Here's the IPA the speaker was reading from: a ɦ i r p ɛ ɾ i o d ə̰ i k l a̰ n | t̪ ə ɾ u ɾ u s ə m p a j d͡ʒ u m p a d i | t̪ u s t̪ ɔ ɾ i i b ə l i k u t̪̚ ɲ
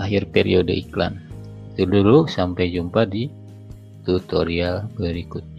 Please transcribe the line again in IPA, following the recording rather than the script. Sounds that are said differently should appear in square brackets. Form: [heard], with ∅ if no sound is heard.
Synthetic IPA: a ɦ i r p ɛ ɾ i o d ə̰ i k l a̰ n | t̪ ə [l] u ɾ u s [a] m p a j d͡ʒ u m p a d i | t̪ u [∅] t̪ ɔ ɾ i [a] b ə [ɾ] i k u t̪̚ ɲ